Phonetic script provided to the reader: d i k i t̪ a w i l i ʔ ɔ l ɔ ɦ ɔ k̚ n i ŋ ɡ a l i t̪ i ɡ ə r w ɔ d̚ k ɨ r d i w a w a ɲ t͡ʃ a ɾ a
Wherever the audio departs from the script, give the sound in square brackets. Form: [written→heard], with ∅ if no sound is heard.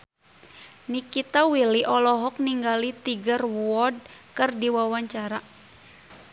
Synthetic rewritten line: [d→n] i k i t̪ a w i l i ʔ ɔ l ɔ ɦ ɔ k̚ n i ŋ ɡ a l i t̪ i ɡ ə r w ɔ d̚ k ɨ r d i w a w a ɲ t͡ʃ a ɾ a

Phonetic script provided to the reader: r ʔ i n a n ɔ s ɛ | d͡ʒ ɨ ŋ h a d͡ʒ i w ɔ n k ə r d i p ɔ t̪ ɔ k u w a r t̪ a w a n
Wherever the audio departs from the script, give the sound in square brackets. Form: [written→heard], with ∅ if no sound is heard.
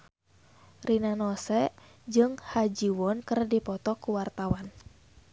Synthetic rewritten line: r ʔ i n a n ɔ s ɛ | d͡ʒ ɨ ŋ h a d͡ʒ i w ɔ n k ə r d i p ɔ t̪ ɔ k u w a r t̪ a w a n

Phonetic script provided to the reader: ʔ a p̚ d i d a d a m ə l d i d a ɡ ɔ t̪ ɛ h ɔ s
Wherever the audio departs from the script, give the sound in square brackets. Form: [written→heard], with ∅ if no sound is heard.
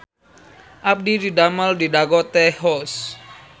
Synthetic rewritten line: ʔ a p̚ d i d [a→i] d a m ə l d i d a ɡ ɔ t̪ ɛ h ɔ s

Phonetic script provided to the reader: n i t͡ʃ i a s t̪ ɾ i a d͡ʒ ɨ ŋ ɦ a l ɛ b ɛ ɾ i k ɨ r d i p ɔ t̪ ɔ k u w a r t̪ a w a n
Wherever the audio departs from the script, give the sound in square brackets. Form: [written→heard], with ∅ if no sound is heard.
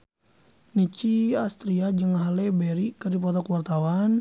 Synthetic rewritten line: n i t͡ʃ i a s t̪ ɾ i a d͡ʒ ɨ ŋ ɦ a l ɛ b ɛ ɾ i k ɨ r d i p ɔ t̪ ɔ k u w a r t̪ a w a n

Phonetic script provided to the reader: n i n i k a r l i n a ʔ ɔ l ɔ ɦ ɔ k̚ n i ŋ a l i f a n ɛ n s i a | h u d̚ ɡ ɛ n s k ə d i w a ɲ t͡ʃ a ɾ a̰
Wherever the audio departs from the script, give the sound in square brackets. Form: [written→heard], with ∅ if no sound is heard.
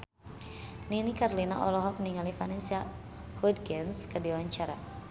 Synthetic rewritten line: n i n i k a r l i n a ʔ ɔ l ɔ ɦ ɔ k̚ n i ŋ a l i f a n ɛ n s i a | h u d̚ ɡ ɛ n s k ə d i w a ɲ t͡ʃ a ɾ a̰

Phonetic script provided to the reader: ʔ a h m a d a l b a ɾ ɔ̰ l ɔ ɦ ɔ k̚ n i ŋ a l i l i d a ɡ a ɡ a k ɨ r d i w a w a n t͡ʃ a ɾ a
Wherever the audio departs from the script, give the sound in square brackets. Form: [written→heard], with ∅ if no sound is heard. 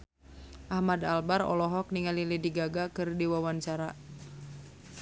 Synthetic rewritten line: ʔ a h m a d a l b a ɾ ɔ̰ l ɔ ɦ ɔ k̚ n i ŋ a l i l i d [a→i] ɡ a ɡ a k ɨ r d i w a w a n t͡ʃ a ɾ a

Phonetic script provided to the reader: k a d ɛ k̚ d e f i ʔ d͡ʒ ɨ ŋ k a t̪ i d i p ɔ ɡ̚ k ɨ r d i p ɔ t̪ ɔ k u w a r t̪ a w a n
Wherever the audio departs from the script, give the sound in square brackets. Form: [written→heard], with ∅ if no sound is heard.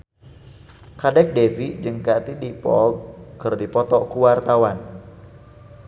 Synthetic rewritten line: k a d ɛ k̚ d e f i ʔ d͡ʒ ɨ ŋ k a t̪ i d i p ɔ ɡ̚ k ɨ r d i p ɔ t̪ ɔ k u w a r t̪ a w a n

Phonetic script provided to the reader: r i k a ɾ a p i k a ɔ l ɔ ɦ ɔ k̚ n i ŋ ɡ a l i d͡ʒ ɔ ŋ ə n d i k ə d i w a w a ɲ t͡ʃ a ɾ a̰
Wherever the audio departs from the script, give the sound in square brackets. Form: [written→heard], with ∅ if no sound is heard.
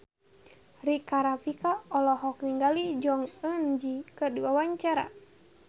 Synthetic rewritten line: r i k a ɾ a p i k a ɔ l ɔ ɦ ɔ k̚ n i ŋ ɡ a l i d͡ʒ ɔ ŋ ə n [d→d͡ʒ] i k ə d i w a w a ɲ t͡ʃ a ɾ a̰

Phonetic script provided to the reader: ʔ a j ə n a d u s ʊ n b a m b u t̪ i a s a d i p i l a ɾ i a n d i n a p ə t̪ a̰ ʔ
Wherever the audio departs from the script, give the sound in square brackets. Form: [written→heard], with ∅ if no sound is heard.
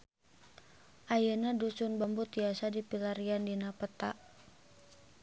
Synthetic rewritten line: ʔ a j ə n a d u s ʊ n b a m b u t̪ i a s a d i p i l a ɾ i a n d i n a p ə t̪ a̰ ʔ

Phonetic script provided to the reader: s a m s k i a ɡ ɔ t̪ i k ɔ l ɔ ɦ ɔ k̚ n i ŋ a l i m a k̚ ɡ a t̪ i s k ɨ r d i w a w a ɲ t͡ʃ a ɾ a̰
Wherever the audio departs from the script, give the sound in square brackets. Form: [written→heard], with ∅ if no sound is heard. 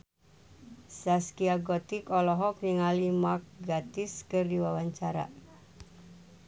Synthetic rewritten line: s a [m→∅] s k i a ɡ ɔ t̪ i k ɔ l ɔ ɦ ɔ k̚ n i ŋ a l i m a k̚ ɡ a t̪ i s k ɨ r d i w a w a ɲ t͡ʃ a ɾ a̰

